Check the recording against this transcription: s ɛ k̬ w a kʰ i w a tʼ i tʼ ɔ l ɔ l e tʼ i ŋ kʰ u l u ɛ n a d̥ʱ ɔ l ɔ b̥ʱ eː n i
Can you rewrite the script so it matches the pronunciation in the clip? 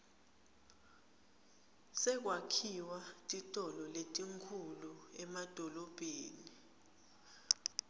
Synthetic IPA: s ɛ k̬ w a kʰ i w a tʼ i tʼ ɔ l ɔ l e tʼ i ŋ kʰ u l u ɛ m a d̥ʱ ɔ l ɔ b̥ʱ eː n i